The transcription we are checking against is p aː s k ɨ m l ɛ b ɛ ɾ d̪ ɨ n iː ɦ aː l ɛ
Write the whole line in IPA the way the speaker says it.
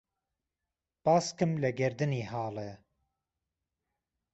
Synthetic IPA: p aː s k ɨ m l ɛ ɡ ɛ ɾ d̪ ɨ n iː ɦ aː l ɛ